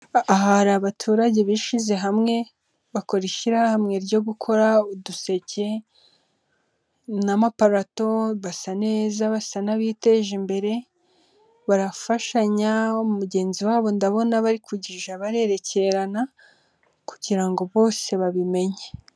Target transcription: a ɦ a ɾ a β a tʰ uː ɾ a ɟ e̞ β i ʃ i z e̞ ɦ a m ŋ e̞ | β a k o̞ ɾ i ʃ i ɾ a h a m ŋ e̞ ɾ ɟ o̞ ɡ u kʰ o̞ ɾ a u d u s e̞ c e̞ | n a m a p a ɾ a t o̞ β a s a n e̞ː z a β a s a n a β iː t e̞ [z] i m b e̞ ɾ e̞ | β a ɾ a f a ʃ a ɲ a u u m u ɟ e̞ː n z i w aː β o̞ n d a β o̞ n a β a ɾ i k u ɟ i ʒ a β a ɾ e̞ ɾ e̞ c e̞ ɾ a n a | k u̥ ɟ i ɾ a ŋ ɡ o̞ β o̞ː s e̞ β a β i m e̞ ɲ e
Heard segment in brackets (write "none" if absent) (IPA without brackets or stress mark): ʒ